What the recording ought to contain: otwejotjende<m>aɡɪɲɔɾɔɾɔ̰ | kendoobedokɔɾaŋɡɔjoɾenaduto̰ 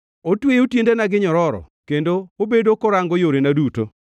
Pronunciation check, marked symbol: incorrect: n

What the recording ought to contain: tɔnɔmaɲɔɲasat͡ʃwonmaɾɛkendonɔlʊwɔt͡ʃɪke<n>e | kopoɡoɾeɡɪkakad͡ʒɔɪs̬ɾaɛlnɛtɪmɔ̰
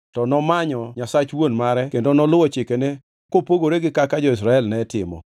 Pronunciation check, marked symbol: correct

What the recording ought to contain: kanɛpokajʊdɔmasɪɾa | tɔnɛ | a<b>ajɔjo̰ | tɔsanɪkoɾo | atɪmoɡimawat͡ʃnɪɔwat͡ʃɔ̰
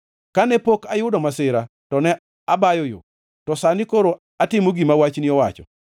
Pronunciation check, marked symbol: correct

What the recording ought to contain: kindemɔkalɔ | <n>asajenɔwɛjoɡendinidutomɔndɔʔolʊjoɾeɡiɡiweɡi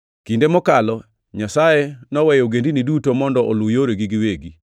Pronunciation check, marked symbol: incorrect: ɲ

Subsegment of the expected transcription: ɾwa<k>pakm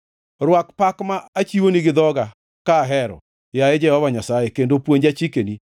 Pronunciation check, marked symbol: correct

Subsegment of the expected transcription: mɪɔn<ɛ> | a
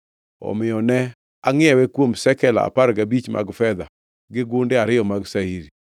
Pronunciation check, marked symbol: correct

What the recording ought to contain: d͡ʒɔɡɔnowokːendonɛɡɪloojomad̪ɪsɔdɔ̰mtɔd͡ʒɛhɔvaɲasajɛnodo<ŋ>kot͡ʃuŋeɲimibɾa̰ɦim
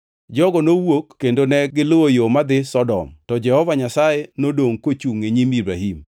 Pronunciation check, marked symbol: correct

